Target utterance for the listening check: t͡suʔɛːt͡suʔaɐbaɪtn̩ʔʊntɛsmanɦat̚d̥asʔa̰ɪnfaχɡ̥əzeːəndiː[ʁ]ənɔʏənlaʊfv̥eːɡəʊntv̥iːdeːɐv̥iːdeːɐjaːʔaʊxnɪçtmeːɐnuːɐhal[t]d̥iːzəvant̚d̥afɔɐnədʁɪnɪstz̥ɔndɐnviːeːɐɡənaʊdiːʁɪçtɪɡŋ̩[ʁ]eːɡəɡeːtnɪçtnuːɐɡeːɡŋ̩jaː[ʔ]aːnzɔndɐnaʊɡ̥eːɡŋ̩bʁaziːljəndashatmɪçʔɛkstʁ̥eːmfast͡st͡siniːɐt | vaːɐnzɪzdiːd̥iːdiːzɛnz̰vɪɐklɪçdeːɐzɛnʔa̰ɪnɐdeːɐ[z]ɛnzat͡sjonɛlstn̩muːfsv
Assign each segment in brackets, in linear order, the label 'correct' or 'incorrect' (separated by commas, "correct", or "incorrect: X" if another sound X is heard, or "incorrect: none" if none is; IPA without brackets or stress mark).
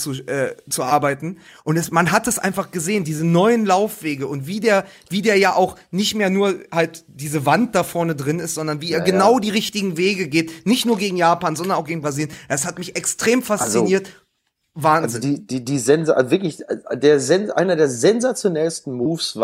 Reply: incorrect: z, correct, incorrect: v, incorrect: p, correct